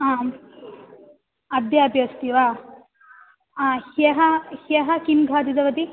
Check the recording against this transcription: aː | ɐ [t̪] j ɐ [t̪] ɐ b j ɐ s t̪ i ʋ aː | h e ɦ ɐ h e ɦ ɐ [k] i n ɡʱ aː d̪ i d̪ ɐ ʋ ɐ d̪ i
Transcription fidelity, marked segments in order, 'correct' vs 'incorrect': incorrect, incorrect, correct

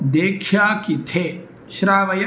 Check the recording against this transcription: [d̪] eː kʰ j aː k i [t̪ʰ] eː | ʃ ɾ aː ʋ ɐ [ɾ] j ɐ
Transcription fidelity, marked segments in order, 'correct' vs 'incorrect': correct, correct, incorrect

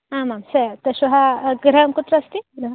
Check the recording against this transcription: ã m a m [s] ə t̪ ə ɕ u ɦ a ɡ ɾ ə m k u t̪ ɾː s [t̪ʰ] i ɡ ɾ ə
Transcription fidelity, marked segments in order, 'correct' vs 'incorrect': correct, incorrect

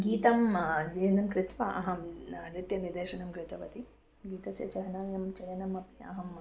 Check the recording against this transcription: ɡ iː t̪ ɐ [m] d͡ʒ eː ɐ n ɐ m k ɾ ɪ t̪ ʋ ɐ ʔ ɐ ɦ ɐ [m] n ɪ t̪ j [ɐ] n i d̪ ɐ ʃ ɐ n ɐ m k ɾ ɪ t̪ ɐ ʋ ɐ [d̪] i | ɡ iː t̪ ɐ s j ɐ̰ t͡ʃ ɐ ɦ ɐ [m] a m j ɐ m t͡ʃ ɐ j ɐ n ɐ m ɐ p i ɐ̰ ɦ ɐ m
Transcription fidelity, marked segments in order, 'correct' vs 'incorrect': correct, correct, correct, incorrect, incorrect

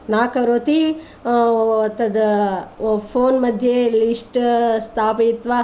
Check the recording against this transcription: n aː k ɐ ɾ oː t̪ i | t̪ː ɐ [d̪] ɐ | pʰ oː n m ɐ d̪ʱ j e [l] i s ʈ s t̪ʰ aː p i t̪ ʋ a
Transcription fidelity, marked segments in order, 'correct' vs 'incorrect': correct, correct

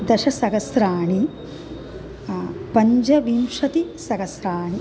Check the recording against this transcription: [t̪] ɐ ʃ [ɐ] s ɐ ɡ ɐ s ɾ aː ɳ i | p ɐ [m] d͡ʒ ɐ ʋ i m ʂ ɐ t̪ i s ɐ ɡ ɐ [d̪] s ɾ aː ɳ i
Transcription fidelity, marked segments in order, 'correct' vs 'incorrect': incorrect, correct, incorrect, incorrect

